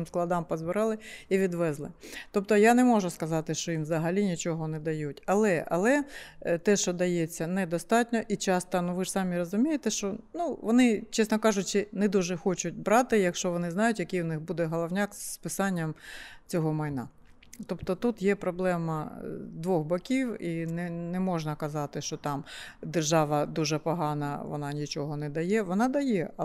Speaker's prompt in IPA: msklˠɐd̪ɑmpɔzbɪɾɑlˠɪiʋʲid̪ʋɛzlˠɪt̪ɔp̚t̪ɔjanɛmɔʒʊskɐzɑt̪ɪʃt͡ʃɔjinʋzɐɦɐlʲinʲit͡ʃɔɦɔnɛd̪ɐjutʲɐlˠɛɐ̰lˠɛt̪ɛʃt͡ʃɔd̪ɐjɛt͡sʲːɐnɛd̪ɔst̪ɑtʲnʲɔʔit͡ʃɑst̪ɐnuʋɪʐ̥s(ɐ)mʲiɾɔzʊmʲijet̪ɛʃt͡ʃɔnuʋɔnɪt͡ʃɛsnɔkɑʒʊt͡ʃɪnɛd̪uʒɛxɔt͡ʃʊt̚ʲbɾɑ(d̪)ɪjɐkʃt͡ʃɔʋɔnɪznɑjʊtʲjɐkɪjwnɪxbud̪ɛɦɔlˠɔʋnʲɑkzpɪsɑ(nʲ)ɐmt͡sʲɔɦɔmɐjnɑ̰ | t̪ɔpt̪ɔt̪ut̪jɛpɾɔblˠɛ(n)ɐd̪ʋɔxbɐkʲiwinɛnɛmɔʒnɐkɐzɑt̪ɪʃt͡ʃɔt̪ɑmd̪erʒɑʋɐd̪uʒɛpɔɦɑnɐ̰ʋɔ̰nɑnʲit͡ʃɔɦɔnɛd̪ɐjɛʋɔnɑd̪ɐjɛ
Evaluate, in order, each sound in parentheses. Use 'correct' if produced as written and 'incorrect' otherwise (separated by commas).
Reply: incorrect, incorrect, incorrect, incorrect